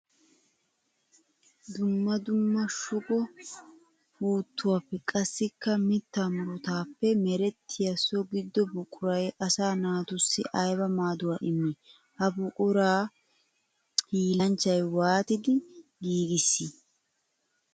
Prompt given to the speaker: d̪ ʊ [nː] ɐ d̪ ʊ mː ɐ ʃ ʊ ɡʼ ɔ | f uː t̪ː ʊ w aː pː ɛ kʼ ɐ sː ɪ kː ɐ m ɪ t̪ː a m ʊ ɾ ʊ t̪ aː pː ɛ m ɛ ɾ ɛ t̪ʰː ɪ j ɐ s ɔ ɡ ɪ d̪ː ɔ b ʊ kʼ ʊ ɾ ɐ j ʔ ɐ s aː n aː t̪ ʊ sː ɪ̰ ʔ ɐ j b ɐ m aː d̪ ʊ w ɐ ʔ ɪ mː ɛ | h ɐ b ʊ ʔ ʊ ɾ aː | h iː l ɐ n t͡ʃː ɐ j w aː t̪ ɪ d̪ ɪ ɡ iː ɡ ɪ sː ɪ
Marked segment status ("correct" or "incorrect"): incorrect